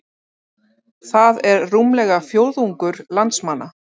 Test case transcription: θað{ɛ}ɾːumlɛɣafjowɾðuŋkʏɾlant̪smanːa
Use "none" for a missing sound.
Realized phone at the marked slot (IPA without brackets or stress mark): ɛ